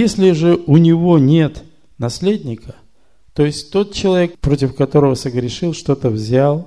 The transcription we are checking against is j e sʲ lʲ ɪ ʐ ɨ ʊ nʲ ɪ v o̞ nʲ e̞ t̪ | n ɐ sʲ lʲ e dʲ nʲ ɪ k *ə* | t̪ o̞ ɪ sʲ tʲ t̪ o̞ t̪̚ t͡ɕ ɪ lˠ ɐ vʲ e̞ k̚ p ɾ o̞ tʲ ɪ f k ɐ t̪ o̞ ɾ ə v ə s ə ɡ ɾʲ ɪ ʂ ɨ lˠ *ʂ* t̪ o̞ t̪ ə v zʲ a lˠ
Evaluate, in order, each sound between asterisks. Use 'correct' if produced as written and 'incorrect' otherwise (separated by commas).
correct, correct